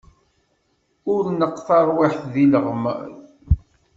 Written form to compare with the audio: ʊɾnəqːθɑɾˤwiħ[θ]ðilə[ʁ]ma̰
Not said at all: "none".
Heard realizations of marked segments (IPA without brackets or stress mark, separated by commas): θ, ʁ